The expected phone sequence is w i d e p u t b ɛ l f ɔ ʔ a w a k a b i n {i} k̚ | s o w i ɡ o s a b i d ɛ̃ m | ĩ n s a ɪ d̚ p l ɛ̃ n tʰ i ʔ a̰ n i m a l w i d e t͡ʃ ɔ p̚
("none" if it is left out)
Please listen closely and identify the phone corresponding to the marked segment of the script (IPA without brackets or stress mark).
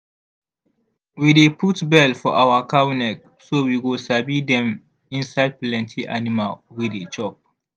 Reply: ɛ